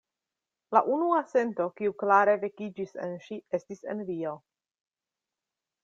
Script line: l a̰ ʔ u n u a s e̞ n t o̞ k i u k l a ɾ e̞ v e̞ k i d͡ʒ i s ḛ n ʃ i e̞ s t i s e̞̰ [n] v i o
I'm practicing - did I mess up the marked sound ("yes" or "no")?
no